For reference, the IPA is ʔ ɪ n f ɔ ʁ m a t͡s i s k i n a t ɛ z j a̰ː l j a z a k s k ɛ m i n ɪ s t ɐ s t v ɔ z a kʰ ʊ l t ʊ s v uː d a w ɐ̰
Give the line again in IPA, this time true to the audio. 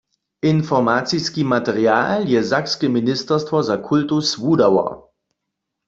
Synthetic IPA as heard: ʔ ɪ n f ɔ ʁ m a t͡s i s k i m a t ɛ ʁ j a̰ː l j ɛ z a k s k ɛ m i n ɪ s t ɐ s t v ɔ z a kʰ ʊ l t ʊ s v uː d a w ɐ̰